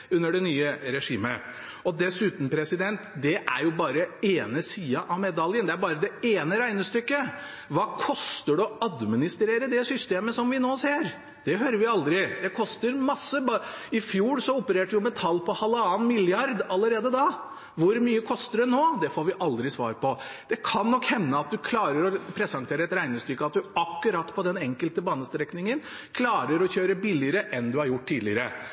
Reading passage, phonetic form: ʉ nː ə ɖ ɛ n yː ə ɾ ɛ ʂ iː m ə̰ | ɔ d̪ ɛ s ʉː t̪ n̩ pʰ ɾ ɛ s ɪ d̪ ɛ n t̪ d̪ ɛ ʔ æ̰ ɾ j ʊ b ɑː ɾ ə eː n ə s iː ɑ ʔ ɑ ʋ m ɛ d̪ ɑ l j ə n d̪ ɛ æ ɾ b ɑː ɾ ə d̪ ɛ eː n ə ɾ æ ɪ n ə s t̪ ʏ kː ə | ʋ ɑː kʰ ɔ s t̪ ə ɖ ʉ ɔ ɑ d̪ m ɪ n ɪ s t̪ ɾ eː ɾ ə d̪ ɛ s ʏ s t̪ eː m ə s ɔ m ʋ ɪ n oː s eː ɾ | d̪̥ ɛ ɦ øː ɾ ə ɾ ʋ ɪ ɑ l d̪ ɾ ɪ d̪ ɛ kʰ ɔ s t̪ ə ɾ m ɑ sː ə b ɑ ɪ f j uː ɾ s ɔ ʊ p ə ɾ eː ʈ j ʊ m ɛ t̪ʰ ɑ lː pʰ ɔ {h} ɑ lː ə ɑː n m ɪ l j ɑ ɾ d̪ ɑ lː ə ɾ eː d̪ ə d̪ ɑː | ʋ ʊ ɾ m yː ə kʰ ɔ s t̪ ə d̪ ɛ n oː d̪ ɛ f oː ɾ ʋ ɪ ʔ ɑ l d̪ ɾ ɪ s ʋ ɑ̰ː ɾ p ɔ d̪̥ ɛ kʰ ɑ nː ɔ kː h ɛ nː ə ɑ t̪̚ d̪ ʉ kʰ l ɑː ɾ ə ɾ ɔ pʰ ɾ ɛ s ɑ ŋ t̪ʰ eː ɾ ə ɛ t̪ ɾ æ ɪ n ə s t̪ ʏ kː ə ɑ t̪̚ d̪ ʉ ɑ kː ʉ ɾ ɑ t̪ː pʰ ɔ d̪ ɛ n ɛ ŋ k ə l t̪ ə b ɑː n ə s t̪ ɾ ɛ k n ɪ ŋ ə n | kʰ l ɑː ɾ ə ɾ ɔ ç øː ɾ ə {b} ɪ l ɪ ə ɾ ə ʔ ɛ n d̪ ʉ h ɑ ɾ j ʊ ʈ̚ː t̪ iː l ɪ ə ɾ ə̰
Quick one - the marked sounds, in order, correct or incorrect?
correct, correct

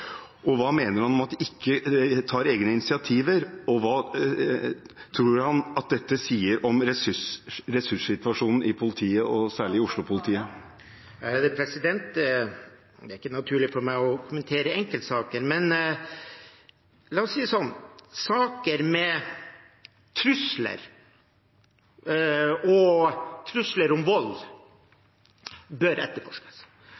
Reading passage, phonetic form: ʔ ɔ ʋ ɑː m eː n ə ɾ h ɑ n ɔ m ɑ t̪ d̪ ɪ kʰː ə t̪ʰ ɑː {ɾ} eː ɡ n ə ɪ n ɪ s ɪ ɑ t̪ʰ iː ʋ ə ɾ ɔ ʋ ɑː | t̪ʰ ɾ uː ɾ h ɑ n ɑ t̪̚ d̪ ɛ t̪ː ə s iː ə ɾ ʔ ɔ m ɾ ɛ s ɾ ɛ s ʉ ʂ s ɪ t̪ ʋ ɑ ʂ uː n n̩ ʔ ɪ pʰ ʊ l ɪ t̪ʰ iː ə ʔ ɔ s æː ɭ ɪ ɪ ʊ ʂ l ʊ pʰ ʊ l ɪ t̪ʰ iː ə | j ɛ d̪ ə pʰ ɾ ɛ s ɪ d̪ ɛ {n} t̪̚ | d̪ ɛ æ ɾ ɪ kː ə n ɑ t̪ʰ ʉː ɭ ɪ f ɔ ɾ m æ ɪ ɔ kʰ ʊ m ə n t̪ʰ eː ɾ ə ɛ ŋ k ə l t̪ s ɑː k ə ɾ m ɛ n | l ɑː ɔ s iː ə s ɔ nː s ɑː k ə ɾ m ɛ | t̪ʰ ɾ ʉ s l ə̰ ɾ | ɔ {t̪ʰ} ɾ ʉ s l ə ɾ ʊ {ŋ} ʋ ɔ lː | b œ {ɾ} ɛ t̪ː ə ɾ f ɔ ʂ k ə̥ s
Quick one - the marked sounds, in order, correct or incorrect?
correct, correct, correct, incorrect, correct

